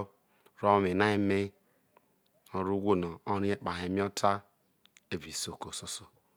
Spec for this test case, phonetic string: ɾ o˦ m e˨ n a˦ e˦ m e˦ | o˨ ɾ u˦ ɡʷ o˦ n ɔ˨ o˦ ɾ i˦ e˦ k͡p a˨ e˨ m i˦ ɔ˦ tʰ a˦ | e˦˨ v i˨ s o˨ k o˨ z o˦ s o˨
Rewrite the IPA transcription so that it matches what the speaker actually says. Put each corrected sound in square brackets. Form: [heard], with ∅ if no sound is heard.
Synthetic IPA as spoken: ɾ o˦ m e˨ n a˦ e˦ m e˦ | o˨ ɾ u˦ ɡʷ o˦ n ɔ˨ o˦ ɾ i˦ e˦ k͡p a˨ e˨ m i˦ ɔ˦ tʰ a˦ | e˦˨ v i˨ s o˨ k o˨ [s] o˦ s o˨